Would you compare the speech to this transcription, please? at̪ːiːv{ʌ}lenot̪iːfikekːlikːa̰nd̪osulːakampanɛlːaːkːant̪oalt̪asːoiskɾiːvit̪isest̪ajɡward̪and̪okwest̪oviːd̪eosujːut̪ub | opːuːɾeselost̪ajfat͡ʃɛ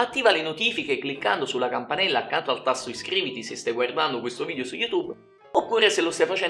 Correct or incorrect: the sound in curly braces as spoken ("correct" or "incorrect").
incorrect